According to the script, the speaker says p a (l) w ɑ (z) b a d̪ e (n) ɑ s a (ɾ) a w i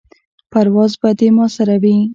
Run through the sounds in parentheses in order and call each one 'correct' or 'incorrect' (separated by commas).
incorrect, correct, incorrect, correct